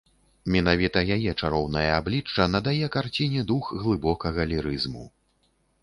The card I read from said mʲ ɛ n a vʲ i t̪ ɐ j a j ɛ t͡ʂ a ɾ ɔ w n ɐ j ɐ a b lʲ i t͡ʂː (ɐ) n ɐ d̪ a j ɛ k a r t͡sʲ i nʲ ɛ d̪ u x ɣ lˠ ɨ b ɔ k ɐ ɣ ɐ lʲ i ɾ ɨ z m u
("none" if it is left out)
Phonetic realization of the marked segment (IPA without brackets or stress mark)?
ɐ